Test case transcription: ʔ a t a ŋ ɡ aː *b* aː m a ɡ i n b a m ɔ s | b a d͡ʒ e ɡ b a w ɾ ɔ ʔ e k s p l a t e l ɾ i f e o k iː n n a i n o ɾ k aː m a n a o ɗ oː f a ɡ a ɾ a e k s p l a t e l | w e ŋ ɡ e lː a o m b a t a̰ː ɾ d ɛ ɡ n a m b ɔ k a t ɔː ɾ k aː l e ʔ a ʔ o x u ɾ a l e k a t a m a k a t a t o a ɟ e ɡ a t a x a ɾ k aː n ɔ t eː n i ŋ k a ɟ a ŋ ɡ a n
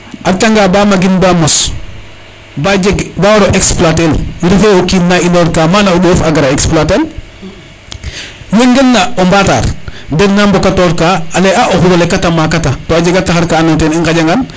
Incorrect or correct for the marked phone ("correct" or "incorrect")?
correct